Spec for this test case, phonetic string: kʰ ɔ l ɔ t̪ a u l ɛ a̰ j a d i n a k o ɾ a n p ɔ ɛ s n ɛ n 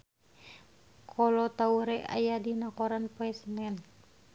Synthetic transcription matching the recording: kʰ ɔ l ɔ t̪ a u ɾ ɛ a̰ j a d i n a k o ɾ a n p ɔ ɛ s n ɛ n